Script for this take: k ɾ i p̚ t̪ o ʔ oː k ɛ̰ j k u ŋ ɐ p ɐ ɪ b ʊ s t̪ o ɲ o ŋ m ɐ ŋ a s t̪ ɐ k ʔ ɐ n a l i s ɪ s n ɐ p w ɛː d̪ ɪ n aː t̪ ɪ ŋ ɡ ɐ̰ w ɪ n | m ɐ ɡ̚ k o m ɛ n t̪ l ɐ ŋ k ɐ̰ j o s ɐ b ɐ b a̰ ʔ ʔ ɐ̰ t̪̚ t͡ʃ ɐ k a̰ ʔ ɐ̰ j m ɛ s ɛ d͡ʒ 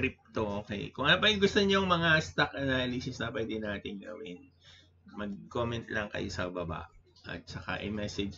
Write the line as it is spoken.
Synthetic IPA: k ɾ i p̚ t̪ o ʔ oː k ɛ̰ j k ʊ ŋ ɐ p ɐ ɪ ɡ ʊ s t̪ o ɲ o ŋ m ɐ ŋ a s t̪ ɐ k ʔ ɐ n a l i s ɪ s n ɐ p w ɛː d̪ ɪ n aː t̪ ɪ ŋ ɡ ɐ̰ w ɪ n | m ɐ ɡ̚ k o m ɛ n t̪ l ɐ ŋ k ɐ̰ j o s ɐ b ɐ b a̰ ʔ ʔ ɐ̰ t̪̚ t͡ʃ ɐ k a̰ ʔ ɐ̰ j m ɛ s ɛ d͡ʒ